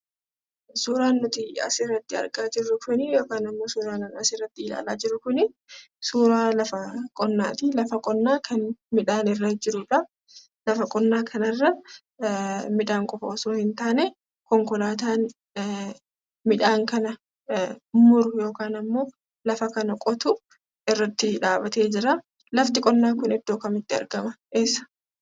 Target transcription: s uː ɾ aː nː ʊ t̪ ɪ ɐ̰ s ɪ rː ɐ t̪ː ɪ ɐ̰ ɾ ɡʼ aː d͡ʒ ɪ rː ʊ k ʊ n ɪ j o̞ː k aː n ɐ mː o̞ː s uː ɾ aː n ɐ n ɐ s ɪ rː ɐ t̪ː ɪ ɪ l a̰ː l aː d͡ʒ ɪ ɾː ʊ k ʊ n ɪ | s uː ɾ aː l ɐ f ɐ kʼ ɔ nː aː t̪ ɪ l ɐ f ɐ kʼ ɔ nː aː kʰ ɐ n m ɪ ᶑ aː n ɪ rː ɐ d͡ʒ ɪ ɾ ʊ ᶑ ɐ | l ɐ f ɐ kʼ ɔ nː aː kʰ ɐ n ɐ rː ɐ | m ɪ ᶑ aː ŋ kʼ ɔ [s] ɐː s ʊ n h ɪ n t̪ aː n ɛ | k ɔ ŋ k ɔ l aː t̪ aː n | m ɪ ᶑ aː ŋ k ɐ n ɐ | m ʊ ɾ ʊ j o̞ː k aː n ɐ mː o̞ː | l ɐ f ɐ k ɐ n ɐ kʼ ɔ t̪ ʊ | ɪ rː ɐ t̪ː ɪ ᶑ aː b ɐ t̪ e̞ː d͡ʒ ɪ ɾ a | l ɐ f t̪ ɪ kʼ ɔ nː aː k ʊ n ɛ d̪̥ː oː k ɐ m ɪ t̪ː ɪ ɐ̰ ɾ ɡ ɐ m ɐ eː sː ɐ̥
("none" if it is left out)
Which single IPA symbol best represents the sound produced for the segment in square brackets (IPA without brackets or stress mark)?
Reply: f